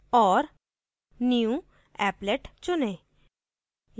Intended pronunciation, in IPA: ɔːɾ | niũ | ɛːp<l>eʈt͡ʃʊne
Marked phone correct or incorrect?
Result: correct